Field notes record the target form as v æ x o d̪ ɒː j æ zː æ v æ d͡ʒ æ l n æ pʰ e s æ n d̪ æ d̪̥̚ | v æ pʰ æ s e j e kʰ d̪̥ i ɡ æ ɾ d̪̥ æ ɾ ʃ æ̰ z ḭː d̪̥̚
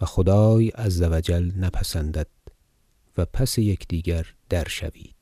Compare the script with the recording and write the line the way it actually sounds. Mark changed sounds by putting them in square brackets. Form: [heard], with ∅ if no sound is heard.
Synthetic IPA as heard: v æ x o d̪ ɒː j æ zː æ v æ d͡ʒ æ l n æ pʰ [æ] s æ n d̪ æ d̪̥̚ | v æ pʰ æ s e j e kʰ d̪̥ [iː] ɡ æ ɾ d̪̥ æ ɾ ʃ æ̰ [v] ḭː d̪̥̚